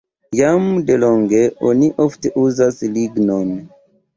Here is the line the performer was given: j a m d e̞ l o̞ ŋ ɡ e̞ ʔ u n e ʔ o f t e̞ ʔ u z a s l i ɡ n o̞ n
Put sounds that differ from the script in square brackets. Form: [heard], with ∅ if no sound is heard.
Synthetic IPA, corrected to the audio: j a m d e̞ l o̞ ŋ ɡ e̞ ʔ [o] n [i] ʔ o f t e̞ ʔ u z a s l i ɡ n o̞ n